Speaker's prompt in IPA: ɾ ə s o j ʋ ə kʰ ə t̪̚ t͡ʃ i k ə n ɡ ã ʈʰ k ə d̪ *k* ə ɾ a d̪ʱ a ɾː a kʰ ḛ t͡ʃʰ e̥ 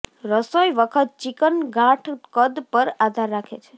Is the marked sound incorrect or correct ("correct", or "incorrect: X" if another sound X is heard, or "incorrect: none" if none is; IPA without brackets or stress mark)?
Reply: incorrect: p